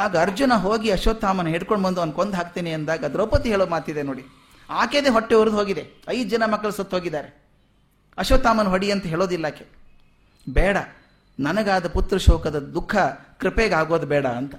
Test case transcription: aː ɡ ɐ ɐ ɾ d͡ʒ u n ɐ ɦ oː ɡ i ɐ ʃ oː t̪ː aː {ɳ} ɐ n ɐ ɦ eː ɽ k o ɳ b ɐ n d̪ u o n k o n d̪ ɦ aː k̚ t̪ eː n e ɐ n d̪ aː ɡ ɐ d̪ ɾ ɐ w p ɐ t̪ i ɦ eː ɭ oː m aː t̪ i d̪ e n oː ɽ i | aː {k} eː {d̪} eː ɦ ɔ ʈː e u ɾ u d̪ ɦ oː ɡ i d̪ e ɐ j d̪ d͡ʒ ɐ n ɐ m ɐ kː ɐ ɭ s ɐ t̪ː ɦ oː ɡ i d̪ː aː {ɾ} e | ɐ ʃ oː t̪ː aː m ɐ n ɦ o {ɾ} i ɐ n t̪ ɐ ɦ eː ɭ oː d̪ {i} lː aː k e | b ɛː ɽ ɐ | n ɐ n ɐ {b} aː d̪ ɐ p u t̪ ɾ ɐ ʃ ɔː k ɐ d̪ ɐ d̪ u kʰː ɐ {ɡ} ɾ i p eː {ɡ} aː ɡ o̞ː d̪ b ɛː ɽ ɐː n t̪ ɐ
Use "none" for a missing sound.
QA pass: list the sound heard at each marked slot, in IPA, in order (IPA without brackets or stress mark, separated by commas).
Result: m, k, d̪, ɾ, ɽ, i, ɡ, k, ɡ